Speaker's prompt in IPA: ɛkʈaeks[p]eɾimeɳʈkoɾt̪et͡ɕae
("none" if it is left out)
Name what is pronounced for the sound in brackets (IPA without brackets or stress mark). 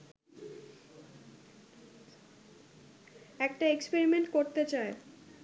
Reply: p